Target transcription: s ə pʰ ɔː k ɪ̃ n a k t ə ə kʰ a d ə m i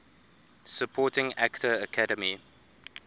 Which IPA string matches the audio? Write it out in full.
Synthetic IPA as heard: s ə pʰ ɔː t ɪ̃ ŋ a k t ə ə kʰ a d ə m i